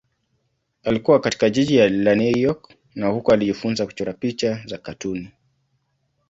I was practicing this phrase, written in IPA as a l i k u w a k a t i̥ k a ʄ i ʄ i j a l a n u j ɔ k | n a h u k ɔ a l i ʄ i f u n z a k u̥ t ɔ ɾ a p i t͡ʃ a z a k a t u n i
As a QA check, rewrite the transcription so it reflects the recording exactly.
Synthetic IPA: a l i k u w a k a t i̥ k a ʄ i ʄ i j a l a n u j ɔ k | n a h u k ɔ a l i ʄ i f u n z a k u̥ t͡ʃ ɔ ɾ a p i t͡ʃ a z a k a t u n i